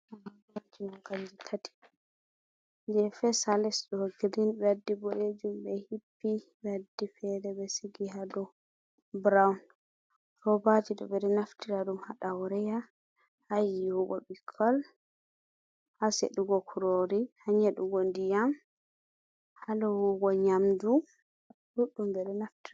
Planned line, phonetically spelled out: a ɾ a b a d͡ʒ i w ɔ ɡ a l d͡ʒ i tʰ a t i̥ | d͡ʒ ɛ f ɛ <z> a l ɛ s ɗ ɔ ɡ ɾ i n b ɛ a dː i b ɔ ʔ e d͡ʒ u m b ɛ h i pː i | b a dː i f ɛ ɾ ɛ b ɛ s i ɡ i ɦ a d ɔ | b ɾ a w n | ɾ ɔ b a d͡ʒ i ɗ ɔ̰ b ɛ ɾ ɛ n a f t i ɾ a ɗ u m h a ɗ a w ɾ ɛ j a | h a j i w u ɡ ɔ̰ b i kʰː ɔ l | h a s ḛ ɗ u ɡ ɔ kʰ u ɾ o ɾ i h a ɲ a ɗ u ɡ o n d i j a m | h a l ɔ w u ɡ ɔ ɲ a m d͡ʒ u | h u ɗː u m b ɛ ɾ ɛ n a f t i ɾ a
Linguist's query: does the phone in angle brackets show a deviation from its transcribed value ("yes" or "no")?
yes